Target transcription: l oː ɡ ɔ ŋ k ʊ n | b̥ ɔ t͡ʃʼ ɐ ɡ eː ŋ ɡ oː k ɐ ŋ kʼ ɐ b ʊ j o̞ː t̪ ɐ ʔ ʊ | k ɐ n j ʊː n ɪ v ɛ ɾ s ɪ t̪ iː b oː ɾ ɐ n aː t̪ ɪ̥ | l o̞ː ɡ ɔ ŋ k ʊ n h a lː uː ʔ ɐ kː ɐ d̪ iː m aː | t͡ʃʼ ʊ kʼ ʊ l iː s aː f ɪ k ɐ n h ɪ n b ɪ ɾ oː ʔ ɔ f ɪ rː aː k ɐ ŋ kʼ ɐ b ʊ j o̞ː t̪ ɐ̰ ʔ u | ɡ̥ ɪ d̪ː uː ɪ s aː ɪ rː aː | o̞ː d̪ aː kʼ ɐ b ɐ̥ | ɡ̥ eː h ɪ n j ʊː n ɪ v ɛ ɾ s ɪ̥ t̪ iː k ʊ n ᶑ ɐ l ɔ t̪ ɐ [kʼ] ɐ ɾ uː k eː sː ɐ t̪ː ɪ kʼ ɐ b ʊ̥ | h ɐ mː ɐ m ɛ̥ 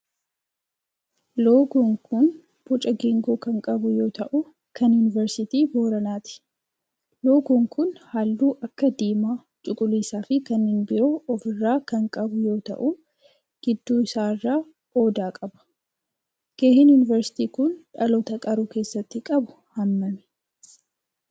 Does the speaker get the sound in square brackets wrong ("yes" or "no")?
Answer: no